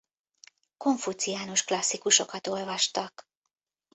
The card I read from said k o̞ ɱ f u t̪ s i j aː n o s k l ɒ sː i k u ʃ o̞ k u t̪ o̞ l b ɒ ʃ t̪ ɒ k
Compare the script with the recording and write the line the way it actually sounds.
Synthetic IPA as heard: k o̞ ɱ f u t̪ s i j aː n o ʃ k l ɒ sː i k u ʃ o̞ k ɒ t̪ o̞ l v ɒ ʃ t̪ ɒ k